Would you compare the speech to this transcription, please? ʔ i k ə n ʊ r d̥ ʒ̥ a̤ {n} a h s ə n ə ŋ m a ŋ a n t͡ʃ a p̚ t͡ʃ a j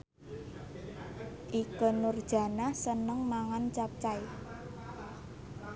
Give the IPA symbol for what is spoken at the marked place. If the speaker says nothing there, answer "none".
n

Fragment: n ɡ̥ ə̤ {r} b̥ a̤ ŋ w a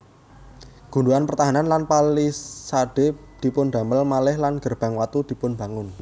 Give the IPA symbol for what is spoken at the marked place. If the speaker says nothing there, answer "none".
r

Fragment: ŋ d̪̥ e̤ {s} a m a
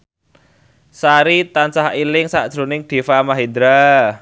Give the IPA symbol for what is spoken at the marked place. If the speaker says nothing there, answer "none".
f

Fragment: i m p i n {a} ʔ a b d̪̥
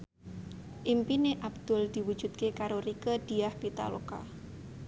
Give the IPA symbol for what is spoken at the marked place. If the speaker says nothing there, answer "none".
e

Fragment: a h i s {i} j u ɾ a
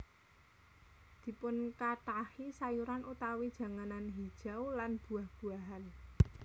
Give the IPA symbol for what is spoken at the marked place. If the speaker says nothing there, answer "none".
a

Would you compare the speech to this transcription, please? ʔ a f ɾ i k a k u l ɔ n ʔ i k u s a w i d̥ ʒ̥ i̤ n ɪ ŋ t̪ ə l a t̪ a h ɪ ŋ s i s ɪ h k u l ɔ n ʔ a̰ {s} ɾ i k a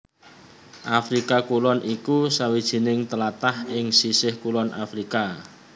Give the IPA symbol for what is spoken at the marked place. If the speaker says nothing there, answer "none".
f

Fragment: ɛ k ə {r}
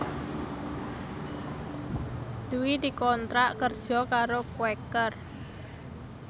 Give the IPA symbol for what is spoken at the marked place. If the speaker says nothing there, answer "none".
r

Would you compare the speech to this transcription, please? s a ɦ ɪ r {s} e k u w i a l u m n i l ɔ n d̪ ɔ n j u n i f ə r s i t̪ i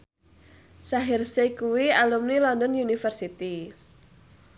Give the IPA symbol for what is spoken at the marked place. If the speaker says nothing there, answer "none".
s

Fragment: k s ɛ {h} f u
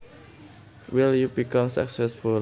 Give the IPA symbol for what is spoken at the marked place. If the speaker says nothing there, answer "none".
s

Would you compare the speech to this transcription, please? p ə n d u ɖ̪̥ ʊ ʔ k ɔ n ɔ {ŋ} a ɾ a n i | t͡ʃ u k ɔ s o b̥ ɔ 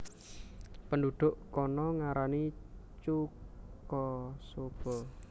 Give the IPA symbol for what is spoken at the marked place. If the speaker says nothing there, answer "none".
ŋ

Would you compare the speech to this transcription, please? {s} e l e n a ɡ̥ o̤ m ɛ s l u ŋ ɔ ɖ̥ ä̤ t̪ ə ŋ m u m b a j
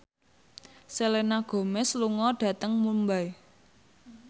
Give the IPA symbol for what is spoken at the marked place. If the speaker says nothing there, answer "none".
s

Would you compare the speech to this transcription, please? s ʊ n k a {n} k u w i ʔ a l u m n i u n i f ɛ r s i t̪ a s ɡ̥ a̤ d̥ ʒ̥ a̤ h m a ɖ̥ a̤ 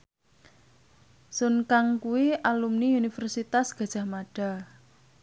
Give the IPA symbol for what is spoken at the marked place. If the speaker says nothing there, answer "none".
ŋ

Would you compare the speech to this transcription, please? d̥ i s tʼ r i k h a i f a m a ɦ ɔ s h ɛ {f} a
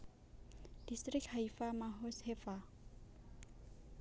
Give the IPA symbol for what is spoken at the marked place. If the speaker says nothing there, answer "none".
f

